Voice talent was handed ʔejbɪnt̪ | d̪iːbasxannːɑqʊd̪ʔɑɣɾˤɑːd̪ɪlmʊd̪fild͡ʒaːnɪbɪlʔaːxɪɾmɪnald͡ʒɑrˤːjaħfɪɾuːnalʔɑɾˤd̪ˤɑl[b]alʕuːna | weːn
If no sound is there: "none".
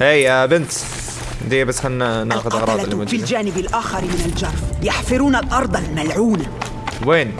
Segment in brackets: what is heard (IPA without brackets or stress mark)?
m